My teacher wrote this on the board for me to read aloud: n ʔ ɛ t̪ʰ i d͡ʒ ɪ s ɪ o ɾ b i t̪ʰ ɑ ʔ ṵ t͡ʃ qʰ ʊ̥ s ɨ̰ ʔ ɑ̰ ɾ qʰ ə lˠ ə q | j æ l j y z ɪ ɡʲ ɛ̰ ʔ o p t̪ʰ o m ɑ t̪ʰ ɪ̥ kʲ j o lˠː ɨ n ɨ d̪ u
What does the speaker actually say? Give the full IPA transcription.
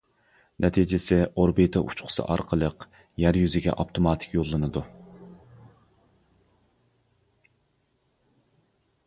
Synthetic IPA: n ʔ ɛ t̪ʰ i d͡ʒ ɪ s ɪ o ɾ b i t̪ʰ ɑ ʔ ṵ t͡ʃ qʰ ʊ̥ s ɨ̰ ʔ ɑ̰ ɾ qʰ ə lˠ ə q | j æ ɾ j y z ɪ ɡʲ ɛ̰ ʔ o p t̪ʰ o m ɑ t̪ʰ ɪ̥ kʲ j o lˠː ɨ n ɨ d̪ u